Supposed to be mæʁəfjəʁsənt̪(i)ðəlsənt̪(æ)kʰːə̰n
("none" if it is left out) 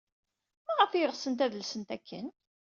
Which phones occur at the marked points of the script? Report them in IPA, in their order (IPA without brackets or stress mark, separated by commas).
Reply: æ, æ